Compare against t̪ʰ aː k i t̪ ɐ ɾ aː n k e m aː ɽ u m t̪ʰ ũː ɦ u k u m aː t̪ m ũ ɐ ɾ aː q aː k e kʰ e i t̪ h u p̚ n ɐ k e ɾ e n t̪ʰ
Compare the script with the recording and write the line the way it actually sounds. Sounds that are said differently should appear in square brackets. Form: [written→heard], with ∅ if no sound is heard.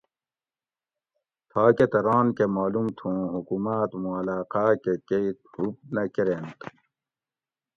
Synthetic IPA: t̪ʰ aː k [i→e] t̪ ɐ ɾ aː n k e m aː [ɽ→l] u m t̪ʰ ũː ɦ u k u m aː t̪ m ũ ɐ [ɾ→l] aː q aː k e [kʰ→k] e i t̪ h u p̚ n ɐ k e ɾ e n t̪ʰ